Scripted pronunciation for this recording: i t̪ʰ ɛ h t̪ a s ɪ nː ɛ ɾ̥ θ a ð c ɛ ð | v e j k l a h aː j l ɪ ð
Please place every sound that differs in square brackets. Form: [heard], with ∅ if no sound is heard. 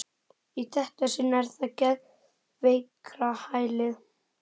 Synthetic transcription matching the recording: i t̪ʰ ɛ h t̪ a s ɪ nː ɛ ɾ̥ θ a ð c ɛ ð | v e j k [ɾ] a h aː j l ɪ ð